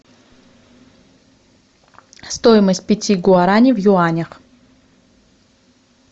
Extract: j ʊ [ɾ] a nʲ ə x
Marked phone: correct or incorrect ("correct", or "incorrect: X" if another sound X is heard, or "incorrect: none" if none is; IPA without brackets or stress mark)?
incorrect: none